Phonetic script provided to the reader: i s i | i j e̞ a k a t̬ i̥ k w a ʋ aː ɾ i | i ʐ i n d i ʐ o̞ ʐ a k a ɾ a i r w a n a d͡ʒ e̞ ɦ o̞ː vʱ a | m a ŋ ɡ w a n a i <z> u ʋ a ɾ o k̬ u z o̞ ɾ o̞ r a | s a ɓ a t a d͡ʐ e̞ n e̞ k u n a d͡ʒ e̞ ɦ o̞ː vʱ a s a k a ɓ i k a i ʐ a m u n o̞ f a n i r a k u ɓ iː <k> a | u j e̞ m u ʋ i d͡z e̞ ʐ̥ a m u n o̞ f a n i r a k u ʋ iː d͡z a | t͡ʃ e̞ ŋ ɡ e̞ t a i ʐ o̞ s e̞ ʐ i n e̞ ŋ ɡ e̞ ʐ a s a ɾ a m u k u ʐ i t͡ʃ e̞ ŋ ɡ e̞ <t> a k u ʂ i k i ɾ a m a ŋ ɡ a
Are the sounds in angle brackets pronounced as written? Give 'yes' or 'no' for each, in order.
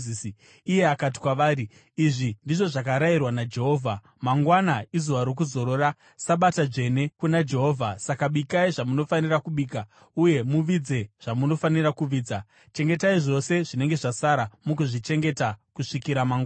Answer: yes, yes, yes

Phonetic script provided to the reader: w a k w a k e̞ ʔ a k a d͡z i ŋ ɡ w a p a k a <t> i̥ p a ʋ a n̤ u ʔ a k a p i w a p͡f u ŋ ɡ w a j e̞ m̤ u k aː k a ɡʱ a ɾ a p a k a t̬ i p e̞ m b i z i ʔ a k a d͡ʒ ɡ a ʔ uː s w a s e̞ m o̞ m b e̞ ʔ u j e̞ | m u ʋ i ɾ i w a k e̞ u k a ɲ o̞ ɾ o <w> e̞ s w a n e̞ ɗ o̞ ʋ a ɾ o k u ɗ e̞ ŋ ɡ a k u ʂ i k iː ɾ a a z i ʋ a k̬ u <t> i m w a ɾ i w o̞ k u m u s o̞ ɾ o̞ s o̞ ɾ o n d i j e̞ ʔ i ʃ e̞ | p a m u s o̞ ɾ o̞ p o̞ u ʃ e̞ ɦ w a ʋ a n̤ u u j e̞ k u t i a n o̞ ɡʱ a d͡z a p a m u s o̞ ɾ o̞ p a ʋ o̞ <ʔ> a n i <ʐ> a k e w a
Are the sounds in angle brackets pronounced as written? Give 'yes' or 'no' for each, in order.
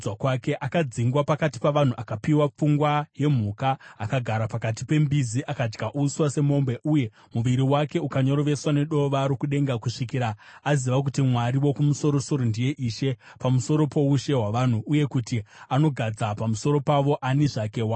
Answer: yes, no, yes, yes, yes

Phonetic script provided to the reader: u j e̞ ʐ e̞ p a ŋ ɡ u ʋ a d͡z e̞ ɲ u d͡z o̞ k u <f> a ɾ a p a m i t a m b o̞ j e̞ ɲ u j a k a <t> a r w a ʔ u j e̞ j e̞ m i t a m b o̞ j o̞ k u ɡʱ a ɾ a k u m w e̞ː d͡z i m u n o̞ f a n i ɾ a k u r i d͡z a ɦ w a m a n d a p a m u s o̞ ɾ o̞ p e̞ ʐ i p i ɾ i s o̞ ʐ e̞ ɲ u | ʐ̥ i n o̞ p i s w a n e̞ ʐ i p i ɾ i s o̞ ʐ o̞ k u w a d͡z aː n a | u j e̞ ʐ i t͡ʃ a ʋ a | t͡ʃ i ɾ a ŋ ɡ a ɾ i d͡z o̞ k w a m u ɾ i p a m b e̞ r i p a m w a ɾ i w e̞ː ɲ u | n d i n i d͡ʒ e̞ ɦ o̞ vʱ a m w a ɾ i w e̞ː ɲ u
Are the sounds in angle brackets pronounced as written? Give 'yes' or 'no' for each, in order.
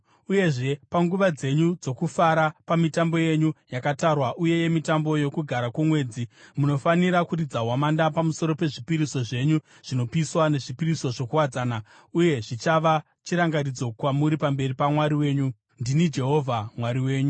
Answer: yes, yes

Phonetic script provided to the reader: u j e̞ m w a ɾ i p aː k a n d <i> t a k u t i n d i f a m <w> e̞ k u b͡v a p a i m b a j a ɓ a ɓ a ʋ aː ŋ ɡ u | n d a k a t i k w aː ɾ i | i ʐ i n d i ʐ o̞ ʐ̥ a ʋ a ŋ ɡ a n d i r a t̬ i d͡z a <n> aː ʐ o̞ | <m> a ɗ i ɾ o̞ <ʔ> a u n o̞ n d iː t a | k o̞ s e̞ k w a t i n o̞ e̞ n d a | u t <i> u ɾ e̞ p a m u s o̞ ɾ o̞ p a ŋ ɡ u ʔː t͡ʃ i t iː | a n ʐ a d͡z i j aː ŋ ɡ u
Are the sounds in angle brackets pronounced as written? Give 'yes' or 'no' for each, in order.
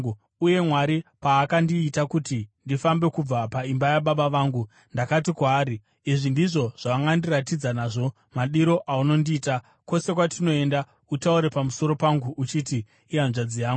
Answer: no, no, yes, yes, yes, no

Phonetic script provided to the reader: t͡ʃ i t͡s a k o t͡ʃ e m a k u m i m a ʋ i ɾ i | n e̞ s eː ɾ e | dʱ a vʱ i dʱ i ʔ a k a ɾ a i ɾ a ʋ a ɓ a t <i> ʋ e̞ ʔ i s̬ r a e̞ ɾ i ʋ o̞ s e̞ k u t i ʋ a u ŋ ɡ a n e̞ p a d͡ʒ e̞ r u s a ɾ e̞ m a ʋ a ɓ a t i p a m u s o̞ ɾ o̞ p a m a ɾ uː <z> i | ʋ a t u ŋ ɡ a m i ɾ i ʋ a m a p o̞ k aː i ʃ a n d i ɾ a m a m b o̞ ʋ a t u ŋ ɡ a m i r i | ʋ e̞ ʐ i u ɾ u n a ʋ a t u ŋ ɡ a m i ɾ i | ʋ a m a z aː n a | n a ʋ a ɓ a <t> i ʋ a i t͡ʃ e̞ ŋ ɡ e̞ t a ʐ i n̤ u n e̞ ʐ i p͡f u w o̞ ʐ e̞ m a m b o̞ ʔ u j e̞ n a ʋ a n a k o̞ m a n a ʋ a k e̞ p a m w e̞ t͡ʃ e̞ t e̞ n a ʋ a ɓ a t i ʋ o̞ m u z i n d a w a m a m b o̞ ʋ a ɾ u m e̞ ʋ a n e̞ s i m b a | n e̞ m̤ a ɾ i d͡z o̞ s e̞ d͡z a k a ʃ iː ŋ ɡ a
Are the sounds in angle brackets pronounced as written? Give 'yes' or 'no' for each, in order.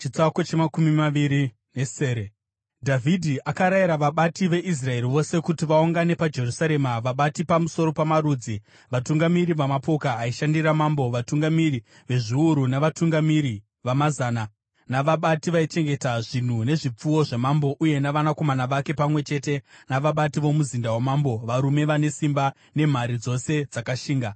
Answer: yes, no, yes

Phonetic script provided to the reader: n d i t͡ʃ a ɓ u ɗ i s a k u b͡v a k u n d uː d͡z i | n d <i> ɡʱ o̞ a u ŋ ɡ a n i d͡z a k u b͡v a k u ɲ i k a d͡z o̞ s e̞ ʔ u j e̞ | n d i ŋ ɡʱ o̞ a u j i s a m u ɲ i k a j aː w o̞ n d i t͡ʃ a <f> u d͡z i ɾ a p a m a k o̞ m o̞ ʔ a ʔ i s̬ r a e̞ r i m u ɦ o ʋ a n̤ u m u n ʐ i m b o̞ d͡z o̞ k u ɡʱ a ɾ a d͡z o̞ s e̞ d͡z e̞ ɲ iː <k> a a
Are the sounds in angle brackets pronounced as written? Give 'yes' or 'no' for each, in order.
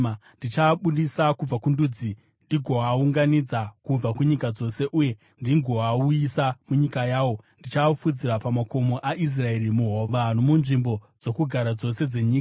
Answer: yes, yes, yes

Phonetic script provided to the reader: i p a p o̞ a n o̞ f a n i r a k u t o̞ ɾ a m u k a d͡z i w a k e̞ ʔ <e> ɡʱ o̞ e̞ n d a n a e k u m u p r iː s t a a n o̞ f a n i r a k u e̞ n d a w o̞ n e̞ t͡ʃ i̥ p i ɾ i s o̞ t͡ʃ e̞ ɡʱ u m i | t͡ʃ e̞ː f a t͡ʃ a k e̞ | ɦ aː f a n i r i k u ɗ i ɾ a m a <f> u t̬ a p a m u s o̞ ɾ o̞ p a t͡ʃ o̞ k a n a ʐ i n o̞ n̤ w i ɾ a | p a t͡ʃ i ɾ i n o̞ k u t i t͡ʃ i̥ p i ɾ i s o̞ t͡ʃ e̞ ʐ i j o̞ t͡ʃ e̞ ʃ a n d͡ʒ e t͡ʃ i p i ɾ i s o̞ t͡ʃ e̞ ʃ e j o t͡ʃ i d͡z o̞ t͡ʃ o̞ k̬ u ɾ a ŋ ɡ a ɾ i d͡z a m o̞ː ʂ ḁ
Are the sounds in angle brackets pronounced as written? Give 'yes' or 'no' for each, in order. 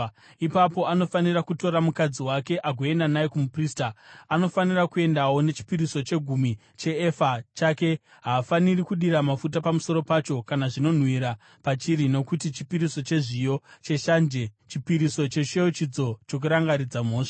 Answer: no, yes

